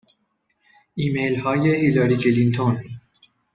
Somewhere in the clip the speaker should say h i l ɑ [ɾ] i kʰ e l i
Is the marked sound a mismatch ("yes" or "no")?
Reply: no